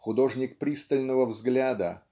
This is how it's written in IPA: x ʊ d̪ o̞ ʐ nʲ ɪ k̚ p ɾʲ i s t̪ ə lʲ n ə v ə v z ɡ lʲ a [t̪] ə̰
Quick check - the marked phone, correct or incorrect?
incorrect